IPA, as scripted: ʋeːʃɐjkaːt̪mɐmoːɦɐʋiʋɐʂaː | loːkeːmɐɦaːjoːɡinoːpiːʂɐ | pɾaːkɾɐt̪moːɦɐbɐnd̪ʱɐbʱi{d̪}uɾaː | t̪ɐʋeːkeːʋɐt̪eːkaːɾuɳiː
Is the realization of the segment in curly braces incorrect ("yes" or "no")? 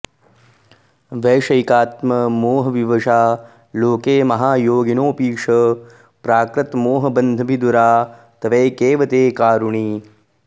no